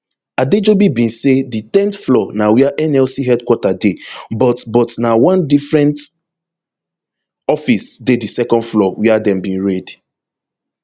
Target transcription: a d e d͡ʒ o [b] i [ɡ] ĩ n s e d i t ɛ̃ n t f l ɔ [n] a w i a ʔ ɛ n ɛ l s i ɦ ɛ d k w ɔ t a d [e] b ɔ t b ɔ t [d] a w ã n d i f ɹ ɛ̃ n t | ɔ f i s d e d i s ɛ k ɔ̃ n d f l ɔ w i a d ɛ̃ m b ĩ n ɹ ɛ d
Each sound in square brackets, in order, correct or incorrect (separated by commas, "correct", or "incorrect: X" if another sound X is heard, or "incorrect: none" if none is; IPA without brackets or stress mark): correct, incorrect: b, correct, correct, incorrect: n